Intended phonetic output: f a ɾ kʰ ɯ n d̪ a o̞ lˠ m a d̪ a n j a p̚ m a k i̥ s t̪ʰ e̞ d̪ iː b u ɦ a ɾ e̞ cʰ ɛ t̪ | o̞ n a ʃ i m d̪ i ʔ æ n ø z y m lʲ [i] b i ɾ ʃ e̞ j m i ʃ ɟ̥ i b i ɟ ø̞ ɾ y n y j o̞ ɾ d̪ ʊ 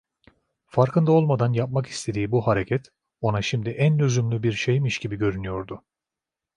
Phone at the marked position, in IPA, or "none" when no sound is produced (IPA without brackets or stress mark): y